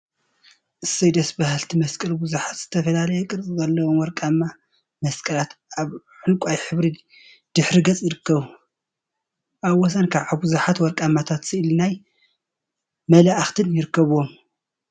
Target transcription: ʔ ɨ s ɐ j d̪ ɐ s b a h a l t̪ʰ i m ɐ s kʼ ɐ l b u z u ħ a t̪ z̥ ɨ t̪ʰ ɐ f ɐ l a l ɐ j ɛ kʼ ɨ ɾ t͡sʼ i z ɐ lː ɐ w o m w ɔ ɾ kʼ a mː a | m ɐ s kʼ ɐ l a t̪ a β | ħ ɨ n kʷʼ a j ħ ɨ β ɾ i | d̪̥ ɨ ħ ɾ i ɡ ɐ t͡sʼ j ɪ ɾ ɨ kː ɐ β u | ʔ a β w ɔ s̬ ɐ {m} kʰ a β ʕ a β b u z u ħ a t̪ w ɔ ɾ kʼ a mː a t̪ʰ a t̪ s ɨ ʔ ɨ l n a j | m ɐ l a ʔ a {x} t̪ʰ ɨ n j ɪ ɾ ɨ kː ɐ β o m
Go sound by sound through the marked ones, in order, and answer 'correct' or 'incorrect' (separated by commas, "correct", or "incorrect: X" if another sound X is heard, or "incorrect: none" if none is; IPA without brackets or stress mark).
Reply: incorrect: n, correct